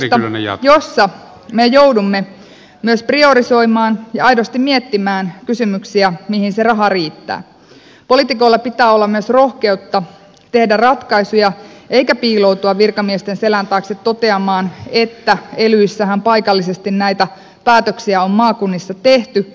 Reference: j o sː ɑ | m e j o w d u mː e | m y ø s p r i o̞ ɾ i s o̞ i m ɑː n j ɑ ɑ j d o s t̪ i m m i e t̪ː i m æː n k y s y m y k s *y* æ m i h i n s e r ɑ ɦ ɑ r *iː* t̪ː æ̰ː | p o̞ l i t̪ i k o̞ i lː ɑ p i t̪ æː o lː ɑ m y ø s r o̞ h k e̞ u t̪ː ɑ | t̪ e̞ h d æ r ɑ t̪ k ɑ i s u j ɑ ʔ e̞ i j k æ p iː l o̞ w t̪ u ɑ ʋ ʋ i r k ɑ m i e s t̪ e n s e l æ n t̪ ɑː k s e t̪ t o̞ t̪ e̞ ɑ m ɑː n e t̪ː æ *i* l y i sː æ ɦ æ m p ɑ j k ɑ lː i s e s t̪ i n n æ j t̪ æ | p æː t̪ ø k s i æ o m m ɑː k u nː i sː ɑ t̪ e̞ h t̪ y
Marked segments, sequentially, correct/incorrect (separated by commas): incorrect, correct, incorrect